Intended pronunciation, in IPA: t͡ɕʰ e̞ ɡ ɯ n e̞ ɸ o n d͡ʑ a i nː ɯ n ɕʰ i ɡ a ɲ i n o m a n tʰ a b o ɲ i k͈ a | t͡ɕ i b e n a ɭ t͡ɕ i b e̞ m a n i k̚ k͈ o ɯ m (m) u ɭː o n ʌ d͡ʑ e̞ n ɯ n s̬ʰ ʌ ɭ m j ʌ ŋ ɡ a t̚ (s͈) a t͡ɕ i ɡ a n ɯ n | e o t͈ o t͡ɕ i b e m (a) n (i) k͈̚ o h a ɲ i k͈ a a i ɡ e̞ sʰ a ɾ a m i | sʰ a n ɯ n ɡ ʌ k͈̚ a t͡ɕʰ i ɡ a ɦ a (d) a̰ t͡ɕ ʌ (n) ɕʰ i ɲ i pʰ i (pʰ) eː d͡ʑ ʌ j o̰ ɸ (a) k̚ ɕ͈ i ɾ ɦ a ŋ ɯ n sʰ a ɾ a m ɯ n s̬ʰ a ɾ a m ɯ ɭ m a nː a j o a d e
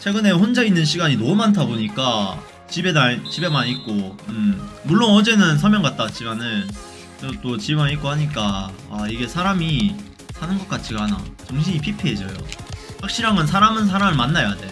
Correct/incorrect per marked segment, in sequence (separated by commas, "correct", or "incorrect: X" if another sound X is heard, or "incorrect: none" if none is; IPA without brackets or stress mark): correct, incorrect: t͈, correct, correct, incorrect: n, incorrect: ŋ, correct, correct